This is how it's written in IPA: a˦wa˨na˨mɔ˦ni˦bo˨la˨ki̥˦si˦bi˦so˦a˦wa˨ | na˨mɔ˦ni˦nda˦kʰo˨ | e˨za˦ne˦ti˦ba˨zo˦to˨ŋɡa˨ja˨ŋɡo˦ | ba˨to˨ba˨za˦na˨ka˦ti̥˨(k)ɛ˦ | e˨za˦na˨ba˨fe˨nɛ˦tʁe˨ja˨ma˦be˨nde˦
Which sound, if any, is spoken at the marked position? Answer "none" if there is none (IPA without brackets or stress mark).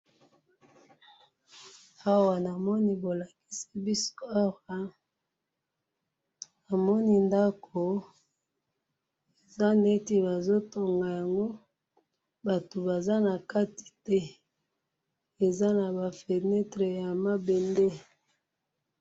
t